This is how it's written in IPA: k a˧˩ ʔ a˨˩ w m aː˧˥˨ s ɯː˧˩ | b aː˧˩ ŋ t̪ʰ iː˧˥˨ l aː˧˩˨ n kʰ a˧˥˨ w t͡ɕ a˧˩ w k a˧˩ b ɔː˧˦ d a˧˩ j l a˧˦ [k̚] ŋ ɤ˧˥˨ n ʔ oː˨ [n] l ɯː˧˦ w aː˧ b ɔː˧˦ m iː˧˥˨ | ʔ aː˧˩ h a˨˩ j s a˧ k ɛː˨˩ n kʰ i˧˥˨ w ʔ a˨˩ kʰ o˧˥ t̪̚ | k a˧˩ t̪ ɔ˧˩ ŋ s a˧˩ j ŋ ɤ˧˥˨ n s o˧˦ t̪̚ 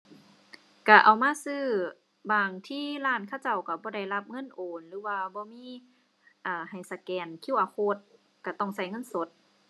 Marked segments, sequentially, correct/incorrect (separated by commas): incorrect, correct